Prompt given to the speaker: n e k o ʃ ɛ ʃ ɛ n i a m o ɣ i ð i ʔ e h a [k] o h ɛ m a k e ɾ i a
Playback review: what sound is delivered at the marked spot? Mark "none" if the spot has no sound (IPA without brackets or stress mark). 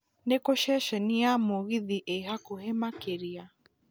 k